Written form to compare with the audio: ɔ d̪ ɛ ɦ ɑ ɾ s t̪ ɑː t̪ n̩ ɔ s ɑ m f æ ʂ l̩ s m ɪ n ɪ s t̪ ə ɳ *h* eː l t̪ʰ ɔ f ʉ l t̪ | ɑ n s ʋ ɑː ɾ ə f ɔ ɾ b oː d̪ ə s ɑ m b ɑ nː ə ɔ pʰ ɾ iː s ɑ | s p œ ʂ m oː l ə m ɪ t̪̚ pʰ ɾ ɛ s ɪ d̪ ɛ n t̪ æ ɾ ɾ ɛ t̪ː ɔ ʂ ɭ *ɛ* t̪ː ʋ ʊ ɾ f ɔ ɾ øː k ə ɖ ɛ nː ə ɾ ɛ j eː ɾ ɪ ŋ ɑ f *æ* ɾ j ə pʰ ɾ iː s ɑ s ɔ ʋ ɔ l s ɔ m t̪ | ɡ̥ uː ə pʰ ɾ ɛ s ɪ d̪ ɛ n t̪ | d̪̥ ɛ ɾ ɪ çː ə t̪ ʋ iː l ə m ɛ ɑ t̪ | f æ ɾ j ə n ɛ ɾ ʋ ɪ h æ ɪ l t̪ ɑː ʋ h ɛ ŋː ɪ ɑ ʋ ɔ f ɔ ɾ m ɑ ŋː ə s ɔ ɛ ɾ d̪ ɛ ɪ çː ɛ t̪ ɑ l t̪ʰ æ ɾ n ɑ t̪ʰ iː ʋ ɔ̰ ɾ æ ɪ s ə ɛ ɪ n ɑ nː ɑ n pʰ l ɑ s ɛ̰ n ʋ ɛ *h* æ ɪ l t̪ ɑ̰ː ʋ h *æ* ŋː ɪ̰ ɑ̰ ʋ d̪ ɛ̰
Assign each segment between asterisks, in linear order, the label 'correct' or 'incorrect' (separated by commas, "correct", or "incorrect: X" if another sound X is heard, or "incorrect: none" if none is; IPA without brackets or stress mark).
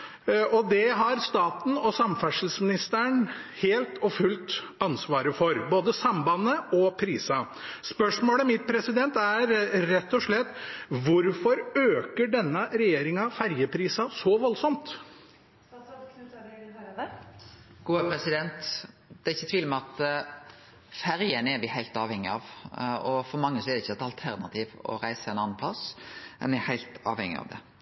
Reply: correct, correct, correct, correct, incorrect: ɛ